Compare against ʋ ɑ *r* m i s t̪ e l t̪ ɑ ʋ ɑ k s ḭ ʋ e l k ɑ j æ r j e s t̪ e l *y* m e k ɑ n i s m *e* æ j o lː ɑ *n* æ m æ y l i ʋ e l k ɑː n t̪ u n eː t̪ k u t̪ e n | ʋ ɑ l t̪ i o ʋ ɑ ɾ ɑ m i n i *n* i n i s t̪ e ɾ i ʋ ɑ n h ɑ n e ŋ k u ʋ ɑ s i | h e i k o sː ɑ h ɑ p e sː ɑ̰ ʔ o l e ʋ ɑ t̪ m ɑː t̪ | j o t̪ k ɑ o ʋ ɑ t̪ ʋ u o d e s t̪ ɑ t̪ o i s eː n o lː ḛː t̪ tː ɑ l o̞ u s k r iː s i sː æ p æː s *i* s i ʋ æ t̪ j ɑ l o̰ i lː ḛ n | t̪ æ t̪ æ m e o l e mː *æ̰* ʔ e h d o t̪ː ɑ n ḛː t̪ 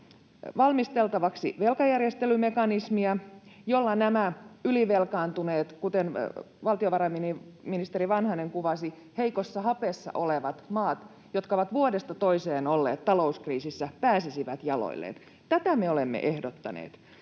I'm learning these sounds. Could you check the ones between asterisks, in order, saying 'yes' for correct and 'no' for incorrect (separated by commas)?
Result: no, yes, no, yes, no, yes, no